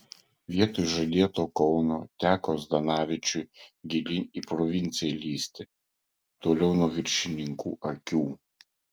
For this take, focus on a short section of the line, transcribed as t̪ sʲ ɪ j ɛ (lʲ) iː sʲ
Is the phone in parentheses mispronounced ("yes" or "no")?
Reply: no